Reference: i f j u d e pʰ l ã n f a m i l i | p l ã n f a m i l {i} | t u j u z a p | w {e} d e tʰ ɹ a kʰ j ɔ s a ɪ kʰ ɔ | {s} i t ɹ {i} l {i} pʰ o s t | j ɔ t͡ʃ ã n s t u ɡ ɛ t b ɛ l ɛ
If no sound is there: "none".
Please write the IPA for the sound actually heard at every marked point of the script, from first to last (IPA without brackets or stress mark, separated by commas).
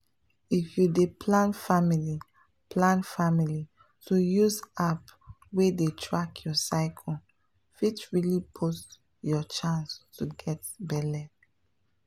i, e, f, i, i